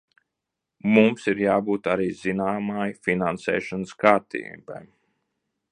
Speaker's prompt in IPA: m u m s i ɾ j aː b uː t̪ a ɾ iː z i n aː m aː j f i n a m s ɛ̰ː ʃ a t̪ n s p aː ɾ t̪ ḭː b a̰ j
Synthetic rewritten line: m u m s i ɾ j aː b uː t̪ a ɾ iː z i n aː m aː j f i n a n s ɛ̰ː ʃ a n s k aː ɾ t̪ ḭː b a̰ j